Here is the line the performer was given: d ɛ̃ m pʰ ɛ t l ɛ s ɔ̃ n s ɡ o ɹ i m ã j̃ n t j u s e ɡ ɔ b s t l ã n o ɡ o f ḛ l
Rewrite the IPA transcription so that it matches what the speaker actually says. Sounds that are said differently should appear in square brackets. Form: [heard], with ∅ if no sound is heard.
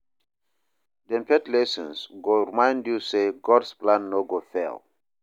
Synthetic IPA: d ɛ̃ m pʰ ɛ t l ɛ s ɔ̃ n s ɡ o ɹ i m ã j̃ n [d] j u s e ɡ ɔ [d] s [p] l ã [nː] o ɡ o f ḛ l